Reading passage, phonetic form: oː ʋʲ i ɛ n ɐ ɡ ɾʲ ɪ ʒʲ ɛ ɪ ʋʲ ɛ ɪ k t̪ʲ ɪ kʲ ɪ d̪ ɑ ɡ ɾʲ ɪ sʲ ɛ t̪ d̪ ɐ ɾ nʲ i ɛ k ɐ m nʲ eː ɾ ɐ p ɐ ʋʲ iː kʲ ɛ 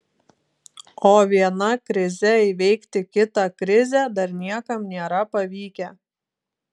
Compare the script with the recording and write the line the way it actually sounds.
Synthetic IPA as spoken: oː ʋʲ i ɛ n ɐ k ɾʲ ɪ zʲ ɛ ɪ ʋʲ ɛ ɪ k t̪ʲ ɪ kʲ ɪ t̪ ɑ k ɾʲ ɪ zʲ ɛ d̪ ɐ ɾ nʲ i ɛ k ɐ m nʲ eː ɾ ɐ p ɐ ʋʲ iː kʲ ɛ